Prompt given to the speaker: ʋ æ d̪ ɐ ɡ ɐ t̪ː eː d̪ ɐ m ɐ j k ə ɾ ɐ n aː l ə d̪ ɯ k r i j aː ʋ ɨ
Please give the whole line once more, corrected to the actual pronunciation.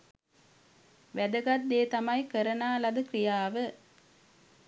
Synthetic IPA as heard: ʋ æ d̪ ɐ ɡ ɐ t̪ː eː t̪ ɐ m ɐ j k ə ɾ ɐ n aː l ɐ d̪ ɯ k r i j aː ʋ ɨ